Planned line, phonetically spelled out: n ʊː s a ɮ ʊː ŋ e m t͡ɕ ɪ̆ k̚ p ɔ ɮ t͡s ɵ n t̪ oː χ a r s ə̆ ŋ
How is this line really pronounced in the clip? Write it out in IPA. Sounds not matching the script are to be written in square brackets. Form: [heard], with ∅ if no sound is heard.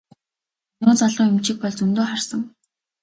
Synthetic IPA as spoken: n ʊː [t͡s] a ɮ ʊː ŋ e m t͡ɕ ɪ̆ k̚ p ɔ ɮ t͡s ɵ n t̪ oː χ a r s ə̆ ŋ